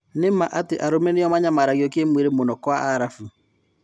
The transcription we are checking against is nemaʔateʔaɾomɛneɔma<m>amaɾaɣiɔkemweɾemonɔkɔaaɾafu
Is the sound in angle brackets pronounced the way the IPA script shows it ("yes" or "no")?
no